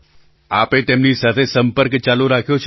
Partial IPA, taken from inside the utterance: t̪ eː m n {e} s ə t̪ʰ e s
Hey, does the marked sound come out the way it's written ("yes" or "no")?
no